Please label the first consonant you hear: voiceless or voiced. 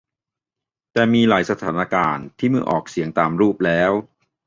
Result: voiceless